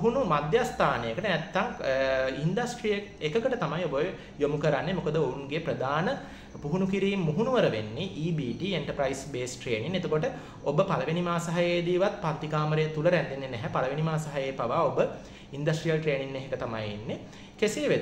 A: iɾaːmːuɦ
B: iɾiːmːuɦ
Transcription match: B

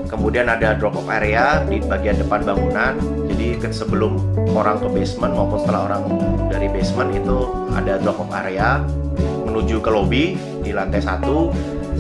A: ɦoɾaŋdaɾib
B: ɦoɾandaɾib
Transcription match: A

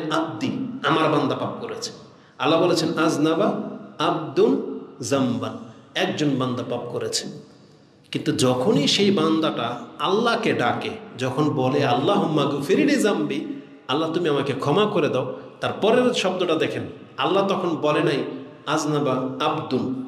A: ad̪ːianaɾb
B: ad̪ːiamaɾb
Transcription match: B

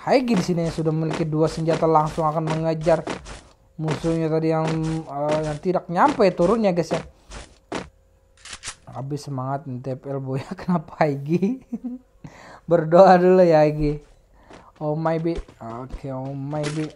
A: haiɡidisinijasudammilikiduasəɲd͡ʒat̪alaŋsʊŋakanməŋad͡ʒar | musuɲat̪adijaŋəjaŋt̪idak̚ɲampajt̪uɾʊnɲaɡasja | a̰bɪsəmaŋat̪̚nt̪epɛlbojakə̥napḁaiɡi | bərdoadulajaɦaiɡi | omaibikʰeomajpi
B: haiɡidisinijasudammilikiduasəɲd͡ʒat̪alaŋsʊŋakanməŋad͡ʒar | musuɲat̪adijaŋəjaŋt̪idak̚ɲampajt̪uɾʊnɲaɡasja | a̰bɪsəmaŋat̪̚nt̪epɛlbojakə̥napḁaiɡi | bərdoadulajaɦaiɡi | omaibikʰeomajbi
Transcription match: B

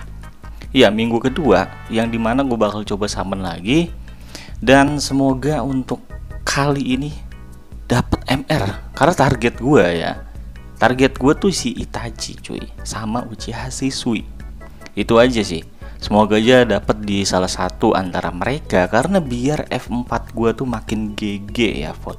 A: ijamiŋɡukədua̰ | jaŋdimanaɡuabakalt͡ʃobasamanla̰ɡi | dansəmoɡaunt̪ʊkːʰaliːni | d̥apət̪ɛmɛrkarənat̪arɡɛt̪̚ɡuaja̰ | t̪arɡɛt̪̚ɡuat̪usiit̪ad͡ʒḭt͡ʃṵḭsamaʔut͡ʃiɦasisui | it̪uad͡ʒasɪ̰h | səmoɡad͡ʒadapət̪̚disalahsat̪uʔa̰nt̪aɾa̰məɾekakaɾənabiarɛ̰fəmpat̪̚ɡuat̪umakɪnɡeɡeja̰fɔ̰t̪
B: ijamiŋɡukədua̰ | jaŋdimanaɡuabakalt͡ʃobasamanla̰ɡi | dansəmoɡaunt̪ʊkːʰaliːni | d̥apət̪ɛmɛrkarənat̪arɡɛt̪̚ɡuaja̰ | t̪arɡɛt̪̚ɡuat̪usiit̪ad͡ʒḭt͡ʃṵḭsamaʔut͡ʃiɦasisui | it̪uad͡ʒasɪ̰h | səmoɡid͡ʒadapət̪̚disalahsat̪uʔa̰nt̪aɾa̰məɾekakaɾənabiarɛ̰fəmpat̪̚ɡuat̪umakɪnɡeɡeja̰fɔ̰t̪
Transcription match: A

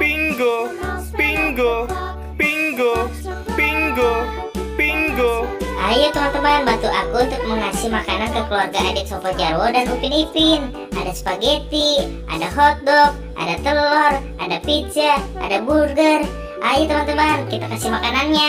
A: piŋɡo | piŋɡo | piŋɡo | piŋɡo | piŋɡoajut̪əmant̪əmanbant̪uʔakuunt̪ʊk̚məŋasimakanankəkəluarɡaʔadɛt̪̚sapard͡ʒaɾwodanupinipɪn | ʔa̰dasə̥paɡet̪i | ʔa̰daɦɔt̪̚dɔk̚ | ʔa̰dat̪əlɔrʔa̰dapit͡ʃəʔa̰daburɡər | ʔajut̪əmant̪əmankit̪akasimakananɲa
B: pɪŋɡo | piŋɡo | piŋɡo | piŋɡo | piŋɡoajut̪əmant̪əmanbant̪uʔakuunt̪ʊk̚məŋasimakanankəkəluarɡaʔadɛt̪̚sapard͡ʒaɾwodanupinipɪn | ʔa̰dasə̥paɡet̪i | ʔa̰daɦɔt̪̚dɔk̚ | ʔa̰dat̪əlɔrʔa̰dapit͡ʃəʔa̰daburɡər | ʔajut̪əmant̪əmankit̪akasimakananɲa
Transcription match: A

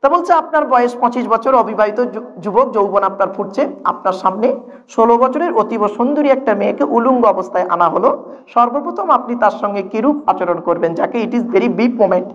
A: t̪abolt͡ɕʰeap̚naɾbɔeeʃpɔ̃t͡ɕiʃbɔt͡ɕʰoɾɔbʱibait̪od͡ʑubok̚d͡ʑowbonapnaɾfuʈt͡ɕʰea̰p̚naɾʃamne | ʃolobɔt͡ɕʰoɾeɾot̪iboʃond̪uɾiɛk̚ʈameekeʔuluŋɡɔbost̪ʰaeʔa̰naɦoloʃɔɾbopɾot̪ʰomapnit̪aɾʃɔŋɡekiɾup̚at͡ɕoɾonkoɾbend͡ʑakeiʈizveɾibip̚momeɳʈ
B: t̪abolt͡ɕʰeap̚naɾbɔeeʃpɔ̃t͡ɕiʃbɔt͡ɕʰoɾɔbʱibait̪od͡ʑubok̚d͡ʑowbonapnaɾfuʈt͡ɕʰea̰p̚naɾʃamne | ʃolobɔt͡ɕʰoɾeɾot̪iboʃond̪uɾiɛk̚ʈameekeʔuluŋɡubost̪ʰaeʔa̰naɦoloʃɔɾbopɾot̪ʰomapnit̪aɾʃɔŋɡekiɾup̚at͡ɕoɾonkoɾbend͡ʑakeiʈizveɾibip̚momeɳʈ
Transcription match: A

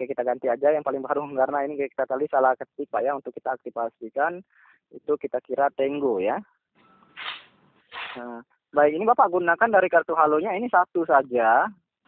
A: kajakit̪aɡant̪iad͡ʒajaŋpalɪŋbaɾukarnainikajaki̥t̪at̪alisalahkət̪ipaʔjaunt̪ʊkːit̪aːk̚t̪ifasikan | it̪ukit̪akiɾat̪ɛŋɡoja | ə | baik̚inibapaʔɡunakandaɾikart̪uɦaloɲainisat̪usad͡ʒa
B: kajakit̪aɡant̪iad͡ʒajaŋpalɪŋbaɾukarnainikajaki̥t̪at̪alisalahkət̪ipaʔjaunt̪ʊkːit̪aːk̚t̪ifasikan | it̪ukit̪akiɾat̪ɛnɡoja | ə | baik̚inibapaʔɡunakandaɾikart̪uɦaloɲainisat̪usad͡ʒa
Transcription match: A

